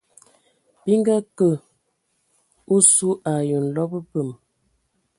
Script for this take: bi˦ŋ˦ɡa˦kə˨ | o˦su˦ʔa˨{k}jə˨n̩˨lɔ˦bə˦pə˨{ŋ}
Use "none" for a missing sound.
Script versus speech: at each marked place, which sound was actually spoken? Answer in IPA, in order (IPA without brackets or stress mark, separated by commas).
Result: none, m